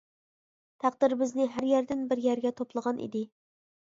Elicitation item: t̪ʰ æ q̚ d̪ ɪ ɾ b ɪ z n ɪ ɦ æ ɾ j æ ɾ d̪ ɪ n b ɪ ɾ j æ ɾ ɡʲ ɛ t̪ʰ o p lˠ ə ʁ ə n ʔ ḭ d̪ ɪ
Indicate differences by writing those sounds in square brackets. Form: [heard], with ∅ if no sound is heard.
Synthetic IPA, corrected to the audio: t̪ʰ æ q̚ d̪ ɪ ɾ b ɪ z n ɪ ɦ æ ɾ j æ ɾ d̪ ɪ n b ɪ ɾ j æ ɾ ɡʲ ɛ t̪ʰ o p lˠ ə ʁ [ɑ] n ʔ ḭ d̪ ɪ